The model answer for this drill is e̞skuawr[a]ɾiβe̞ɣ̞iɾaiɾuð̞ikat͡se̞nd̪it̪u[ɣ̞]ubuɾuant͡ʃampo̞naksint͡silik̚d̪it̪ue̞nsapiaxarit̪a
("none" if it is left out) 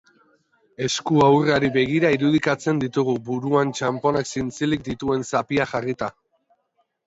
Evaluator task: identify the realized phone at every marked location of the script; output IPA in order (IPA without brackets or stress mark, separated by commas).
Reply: a, ɣ̞